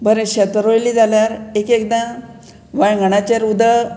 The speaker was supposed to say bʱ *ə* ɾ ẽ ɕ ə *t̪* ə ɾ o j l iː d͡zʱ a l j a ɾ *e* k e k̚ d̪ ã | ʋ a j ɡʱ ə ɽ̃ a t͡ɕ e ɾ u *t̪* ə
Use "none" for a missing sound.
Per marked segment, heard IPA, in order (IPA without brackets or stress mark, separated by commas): ə, t̪, e, d̪